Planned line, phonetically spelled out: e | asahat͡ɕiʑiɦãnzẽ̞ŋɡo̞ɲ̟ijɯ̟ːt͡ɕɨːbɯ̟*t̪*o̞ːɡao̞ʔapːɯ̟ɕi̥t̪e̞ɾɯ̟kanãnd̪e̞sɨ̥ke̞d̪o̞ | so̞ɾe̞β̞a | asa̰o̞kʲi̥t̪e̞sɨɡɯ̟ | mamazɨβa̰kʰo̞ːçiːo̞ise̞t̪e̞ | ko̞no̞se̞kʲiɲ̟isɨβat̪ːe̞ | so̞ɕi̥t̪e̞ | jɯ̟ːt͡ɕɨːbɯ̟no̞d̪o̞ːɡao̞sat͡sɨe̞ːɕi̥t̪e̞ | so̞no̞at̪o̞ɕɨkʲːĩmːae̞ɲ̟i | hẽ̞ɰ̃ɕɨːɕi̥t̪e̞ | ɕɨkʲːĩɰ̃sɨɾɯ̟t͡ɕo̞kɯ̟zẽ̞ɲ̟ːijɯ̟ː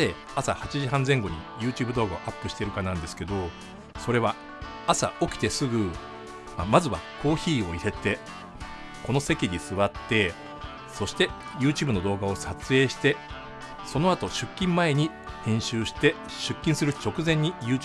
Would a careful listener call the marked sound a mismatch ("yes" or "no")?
yes